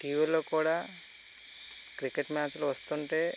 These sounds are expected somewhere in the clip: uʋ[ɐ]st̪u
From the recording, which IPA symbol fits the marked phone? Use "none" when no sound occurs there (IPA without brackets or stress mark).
ɐ